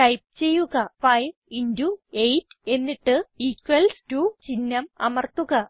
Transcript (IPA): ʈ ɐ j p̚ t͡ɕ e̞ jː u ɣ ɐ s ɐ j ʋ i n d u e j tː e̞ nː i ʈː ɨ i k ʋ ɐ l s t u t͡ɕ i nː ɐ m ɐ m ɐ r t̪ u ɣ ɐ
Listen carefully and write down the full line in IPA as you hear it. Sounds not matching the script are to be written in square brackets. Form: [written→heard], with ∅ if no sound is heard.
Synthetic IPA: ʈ ɐ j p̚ t͡ɕ e̞ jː u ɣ ɐ [s→f] ɐ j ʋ i n d u e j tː e̞ nː i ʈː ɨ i k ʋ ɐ l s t u t͡ɕ i nː ɐ m ɐ m ɐ r t̪ u ɣ ɐ